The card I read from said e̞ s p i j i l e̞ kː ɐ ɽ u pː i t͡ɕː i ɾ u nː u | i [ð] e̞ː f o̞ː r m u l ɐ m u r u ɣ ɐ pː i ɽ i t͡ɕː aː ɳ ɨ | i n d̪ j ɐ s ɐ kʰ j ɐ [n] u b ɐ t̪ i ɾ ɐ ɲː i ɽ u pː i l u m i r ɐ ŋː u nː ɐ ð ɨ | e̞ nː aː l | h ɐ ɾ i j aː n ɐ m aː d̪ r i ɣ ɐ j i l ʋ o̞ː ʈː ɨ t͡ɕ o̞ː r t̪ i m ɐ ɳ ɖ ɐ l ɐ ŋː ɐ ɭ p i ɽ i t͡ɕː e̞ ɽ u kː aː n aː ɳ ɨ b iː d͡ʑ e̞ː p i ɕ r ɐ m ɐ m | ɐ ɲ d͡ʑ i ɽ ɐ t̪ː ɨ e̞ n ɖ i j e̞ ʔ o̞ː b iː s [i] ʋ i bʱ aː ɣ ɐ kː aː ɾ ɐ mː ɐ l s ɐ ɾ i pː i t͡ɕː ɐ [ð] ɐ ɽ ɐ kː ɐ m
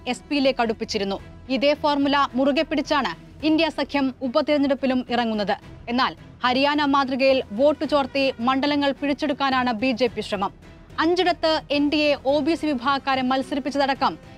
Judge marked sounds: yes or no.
yes, no, yes, yes

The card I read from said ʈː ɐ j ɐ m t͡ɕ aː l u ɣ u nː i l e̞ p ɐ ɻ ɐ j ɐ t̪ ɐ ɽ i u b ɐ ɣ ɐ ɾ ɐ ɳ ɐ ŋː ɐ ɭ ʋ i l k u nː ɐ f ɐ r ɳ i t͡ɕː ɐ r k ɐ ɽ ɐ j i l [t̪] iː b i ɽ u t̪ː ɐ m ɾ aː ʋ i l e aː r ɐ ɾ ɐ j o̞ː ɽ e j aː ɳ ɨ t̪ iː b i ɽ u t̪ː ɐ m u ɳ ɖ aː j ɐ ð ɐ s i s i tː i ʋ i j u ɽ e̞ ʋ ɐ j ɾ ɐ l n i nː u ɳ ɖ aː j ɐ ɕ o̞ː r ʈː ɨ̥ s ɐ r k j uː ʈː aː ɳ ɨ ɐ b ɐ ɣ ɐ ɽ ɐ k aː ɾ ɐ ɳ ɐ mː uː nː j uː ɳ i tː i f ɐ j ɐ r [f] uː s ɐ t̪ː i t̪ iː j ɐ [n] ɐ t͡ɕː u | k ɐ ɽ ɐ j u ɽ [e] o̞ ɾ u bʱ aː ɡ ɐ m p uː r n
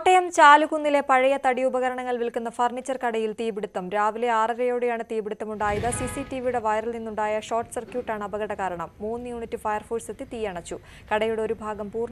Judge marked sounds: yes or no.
yes, yes, no, yes

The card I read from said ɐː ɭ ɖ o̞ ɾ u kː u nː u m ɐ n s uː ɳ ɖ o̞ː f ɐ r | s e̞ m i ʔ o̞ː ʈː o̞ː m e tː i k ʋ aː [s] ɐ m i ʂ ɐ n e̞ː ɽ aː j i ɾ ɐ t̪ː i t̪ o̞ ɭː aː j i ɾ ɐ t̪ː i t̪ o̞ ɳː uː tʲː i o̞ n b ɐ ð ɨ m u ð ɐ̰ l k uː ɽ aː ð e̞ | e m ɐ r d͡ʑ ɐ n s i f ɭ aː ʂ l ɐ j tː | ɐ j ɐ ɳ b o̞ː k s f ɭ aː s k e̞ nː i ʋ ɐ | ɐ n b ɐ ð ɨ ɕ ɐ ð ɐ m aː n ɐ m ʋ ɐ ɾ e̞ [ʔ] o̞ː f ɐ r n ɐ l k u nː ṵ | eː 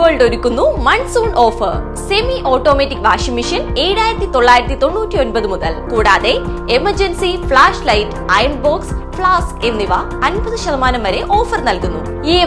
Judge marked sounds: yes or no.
no, yes

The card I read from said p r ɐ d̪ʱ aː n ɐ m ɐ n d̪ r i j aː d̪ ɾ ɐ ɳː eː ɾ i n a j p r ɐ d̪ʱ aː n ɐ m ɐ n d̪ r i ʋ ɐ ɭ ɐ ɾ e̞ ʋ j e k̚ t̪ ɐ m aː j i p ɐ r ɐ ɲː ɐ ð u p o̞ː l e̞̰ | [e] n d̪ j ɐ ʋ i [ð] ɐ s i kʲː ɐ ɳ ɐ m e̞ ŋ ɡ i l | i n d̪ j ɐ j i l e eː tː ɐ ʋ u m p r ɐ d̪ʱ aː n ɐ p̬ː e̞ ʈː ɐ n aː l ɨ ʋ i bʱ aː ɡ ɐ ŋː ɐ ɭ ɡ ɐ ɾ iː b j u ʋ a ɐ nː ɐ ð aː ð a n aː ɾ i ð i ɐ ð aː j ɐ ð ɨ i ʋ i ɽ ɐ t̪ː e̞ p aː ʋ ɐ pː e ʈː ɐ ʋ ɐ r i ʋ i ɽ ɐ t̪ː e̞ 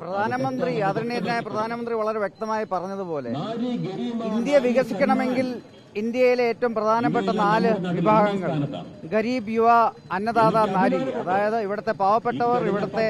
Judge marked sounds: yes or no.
no, no

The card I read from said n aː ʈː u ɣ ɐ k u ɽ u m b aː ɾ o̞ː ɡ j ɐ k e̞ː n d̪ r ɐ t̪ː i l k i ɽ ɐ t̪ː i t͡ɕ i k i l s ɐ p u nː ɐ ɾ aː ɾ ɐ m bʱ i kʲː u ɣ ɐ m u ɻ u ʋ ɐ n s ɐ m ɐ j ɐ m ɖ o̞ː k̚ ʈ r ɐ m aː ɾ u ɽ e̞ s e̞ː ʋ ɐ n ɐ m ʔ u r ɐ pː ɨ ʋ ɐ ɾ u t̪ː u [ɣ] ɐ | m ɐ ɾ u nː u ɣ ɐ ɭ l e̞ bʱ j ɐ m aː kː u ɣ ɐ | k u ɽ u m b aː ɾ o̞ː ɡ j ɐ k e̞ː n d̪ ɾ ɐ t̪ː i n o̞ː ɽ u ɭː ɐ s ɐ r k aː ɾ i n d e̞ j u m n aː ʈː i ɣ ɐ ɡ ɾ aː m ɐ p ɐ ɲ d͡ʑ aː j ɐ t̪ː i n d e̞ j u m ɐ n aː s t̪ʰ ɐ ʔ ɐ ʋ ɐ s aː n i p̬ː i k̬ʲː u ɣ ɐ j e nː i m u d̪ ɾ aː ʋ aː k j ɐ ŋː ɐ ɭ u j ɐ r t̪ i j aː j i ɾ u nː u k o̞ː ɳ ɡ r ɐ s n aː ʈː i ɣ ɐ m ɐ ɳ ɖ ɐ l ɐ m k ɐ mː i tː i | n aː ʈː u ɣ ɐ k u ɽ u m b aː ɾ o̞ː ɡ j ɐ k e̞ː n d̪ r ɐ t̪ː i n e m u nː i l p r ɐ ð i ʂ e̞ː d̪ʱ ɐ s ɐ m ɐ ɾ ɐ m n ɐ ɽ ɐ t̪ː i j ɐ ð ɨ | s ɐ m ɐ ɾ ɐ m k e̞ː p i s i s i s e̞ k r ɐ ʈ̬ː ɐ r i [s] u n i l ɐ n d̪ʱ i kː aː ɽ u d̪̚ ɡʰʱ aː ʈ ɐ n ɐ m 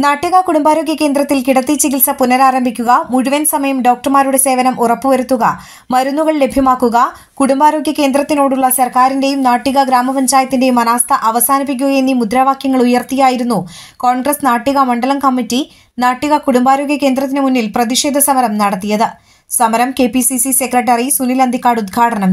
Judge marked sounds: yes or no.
yes, yes

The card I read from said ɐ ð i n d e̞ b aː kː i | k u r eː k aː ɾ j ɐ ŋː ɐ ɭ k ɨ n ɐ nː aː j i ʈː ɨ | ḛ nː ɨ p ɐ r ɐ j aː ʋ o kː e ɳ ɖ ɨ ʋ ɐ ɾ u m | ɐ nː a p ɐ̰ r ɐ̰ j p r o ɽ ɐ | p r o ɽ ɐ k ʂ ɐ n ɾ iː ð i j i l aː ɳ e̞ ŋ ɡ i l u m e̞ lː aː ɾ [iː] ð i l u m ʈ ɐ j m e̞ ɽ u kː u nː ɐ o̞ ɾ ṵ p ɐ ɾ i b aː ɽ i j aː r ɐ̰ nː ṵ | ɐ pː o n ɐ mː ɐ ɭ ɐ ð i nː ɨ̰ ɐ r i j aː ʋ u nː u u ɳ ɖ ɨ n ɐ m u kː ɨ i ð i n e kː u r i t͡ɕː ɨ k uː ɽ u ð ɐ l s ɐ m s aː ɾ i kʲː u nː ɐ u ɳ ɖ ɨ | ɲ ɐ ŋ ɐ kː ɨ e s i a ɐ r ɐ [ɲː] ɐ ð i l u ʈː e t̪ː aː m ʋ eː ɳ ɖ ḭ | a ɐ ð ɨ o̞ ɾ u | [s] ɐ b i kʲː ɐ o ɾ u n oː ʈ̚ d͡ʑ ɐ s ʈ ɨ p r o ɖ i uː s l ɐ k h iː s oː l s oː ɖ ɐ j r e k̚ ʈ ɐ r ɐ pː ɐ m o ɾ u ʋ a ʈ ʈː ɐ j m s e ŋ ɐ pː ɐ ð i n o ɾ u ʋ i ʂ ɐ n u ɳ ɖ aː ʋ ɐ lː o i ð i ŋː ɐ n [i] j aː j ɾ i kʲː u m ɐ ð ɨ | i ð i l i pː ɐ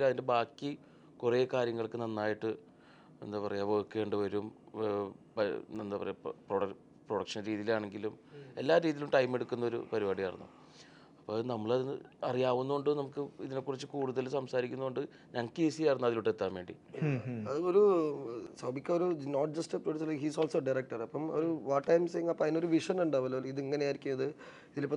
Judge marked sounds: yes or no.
yes, no, yes, no

